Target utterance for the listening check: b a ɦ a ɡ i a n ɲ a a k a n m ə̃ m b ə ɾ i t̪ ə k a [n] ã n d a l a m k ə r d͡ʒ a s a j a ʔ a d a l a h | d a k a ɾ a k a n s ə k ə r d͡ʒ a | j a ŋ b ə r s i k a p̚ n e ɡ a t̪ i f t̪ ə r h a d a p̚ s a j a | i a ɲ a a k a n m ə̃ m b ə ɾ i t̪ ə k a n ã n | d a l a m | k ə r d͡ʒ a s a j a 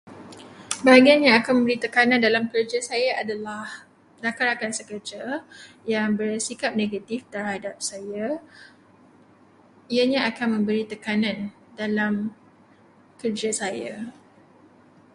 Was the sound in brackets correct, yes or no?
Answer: yes